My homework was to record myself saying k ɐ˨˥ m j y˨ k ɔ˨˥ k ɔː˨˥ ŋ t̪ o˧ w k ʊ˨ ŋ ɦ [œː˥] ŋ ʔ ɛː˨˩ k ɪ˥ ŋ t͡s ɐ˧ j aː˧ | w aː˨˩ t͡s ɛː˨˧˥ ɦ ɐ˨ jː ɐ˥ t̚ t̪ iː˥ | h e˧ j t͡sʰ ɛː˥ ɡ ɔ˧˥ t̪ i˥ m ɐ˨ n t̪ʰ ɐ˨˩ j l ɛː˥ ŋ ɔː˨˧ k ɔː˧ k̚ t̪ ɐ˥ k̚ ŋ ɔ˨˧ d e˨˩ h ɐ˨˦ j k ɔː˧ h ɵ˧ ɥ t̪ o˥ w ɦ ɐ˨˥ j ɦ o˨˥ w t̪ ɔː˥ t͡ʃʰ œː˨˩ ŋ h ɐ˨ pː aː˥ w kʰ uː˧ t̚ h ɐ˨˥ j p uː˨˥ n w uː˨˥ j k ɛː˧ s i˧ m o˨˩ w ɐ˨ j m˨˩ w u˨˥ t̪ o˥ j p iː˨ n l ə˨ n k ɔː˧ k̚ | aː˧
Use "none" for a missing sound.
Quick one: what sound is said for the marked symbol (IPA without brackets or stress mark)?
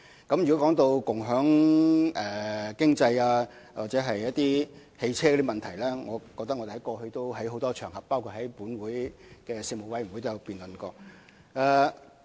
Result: œː˨˥